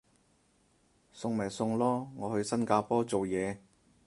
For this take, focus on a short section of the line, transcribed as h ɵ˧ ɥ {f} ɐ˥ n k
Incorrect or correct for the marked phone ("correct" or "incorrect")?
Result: incorrect